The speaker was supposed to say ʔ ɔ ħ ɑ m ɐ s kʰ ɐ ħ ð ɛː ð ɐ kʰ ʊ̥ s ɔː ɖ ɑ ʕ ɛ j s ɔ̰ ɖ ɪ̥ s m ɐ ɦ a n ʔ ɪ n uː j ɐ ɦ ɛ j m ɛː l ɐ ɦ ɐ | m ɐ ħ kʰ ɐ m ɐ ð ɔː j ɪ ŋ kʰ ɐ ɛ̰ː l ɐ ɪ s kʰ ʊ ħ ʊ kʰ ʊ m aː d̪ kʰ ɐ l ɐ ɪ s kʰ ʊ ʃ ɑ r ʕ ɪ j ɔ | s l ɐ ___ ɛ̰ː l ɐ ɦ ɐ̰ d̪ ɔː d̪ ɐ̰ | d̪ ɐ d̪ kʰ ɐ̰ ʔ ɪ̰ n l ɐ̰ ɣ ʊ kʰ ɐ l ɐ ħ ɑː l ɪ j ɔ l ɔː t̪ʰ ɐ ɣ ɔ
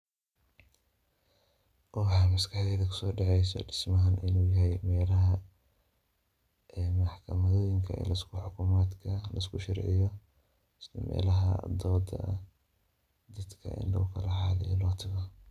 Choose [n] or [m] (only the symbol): m